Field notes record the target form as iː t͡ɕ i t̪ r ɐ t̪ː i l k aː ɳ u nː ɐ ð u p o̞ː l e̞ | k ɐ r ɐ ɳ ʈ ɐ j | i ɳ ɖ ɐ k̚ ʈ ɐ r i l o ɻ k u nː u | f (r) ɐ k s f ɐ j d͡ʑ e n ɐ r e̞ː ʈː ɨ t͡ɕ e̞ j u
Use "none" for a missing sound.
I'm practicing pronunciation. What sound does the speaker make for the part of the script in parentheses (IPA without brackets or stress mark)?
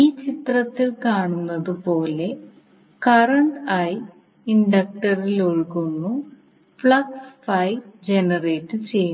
ɭ